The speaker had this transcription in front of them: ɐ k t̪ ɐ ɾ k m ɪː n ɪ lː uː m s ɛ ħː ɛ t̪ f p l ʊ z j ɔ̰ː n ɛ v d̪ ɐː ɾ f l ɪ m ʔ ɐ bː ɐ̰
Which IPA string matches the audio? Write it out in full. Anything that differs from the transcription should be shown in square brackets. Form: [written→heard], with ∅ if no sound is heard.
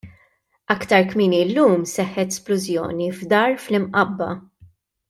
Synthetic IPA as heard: ɐ k t̪ ɐ ɾ k m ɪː n [ɪ→i] lː uː m s ɛ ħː ɛ t̪ [f→s] p l ʊ z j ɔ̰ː n [ɛ→i] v d̪ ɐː ɾ f l ɪ m ʔ ɐ bː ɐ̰